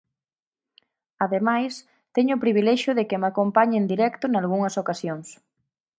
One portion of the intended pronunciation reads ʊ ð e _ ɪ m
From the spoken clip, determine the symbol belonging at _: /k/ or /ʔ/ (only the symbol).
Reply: k